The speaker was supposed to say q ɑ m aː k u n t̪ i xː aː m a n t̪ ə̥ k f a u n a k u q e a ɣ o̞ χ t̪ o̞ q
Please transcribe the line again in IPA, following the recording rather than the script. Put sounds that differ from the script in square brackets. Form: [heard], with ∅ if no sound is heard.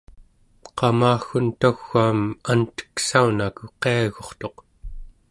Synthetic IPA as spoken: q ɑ m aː [x] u n t̪ [a] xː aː m a n t̪ ə̥ k [s] a u n a k u q e a ɣ o̞ χ t̪ o̞ q